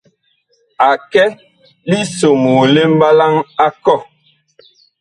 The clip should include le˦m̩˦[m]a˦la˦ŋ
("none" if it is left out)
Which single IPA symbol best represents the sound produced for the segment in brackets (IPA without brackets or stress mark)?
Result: b